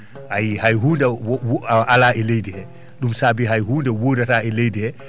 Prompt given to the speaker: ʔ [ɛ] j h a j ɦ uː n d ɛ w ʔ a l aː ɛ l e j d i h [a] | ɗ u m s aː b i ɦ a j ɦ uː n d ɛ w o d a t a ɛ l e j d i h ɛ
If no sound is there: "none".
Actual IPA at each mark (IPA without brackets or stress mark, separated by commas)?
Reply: a, ɛ